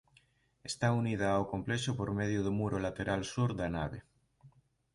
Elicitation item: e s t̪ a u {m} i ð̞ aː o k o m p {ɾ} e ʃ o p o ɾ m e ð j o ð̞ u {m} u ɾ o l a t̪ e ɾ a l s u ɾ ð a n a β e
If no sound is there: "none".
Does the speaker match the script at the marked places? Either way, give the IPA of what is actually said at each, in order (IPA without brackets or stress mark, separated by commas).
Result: n, l, m